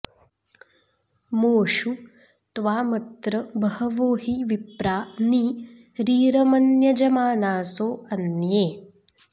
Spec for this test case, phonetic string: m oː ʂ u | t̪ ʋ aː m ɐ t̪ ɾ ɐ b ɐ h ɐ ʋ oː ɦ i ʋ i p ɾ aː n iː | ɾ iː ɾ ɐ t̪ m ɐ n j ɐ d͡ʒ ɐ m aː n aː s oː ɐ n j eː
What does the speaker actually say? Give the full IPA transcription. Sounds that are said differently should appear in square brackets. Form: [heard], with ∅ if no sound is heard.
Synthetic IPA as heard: m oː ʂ u | t̪ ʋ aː m ɐ t̪ ɾ ɐ b ɐ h ɐ ʋ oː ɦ i ʋ i p ɾ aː n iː | ɾ iː ɾ ɐ [∅] m ɐ n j ɐ d͡ʒ ɐ m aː n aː s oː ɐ n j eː